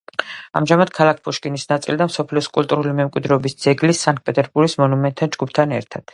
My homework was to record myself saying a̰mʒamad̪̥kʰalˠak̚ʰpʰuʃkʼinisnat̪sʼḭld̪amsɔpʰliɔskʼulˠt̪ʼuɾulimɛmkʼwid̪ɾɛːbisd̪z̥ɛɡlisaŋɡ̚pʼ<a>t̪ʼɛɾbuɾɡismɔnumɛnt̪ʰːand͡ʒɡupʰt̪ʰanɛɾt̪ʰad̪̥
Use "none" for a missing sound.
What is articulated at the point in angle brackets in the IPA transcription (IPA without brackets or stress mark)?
ɛ